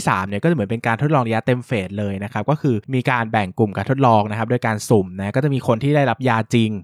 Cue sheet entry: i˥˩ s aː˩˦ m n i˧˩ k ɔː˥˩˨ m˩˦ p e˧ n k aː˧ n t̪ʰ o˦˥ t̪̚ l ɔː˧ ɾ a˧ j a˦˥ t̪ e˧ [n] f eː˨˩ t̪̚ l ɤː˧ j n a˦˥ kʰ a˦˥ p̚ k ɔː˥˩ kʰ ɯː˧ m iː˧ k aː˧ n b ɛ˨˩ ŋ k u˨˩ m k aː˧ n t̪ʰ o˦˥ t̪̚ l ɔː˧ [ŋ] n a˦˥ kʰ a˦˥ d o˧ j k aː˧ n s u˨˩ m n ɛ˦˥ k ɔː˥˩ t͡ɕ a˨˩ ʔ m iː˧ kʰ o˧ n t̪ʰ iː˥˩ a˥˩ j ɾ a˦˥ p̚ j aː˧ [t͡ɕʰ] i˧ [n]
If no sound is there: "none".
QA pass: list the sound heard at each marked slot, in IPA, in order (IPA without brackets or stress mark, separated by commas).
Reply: m, ŋ, t͡ɕ, ŋ